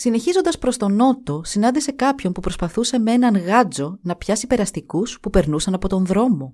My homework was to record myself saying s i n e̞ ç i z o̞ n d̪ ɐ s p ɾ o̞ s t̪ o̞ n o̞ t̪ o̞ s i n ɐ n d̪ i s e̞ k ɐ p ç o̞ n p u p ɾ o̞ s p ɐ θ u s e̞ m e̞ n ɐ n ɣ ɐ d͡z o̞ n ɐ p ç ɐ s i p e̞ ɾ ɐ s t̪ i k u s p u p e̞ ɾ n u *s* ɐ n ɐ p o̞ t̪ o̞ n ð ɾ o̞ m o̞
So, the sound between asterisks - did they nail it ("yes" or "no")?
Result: yes